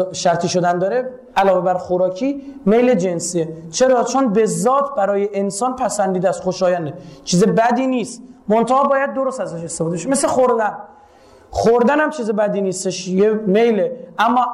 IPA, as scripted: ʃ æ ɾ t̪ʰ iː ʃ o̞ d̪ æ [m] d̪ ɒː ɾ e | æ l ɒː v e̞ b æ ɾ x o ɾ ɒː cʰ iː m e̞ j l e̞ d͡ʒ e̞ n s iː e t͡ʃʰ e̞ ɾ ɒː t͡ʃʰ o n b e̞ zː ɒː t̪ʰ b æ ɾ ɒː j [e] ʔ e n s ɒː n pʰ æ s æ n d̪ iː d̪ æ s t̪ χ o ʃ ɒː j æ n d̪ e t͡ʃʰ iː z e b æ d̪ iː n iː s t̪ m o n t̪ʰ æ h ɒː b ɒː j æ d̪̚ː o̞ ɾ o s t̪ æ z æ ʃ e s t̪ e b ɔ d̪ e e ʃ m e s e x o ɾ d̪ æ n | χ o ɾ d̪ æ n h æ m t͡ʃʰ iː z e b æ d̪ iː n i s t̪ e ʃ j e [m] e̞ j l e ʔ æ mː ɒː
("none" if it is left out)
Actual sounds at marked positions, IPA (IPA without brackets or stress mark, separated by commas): n, e, m